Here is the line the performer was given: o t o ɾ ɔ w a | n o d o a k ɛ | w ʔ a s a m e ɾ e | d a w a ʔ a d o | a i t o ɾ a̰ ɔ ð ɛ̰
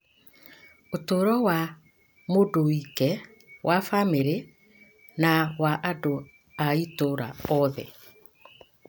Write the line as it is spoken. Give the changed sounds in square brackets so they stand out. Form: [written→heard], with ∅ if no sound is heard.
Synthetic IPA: o t o ɾ ɔ w a | [n→m] o d o [a→i] k ɛ | w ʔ a [s→f] a m e ɾ e | [d→n] a w a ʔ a d o | a i t o ɾ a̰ ɔ ð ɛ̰